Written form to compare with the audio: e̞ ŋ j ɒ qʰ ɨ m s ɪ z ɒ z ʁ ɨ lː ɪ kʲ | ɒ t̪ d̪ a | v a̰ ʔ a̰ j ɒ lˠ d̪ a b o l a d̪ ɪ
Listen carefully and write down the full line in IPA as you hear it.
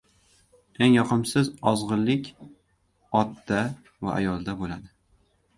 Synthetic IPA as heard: e̞ ŋ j ɒ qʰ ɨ m s ɪ z ɒ z ʁ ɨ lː ɪ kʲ | ɒ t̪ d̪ a | v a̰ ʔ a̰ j ɒ lˠ d̪ a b o l a d̪ ɪ